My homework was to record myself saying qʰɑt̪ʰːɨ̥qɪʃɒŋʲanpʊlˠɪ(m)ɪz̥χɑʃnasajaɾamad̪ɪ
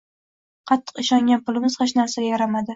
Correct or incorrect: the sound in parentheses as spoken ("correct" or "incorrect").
correct